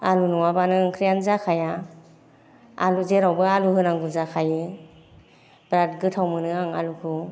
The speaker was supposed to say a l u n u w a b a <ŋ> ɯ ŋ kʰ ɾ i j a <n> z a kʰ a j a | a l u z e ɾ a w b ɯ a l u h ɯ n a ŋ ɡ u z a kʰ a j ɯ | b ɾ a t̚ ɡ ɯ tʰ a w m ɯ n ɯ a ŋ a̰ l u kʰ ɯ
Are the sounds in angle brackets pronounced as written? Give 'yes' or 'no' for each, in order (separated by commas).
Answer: no, yes